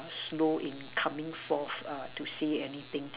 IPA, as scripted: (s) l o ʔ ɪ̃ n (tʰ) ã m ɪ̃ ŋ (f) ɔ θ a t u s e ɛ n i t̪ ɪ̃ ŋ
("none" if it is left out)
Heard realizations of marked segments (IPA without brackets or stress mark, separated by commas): s, kʰ, f